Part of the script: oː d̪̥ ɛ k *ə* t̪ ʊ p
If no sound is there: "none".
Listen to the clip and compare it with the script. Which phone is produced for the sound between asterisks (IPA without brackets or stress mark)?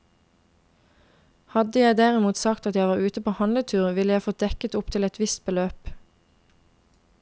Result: ə